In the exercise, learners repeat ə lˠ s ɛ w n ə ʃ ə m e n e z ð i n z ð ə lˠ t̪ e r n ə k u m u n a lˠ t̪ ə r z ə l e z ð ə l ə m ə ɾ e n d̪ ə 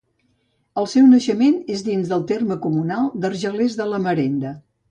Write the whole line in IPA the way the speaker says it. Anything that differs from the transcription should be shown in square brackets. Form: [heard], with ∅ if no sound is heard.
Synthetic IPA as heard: ə lˠ s ɛ w n ə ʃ ə m e n e z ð i n z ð ə lˠ t̪ e r [m] ə k u m u n a lˠ [d̪] ə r [ʒ] ə l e z ð ə l ə m ə ɾ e n d̪ ə